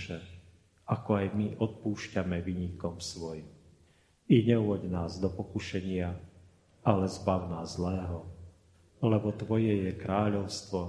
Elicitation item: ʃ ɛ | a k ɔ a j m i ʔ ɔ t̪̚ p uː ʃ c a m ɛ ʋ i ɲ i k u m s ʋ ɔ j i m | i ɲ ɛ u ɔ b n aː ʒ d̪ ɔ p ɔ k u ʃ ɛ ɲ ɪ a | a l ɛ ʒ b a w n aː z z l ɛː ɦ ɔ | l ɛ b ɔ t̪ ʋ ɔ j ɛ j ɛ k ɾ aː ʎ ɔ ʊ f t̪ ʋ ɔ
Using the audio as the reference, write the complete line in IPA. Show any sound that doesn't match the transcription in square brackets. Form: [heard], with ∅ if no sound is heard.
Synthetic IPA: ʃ ɛ | a k ɔ a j m i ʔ ɔ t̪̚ p uː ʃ c a m ɛ ʋ i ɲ i k [ɔ] m s ʋ ɔ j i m | i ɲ ɛ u ɔ [ɟ] n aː [z] d̪ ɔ p ɔ k u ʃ ɛ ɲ ɪ a | a l ɛ [z] b a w n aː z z l ɛː ɦ ɔ | l ɛ b ɔ t̪ ʋ ɔ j ɛ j ɛ k ɾ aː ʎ ɔ ʊ [s] t̪ ʋ ɔ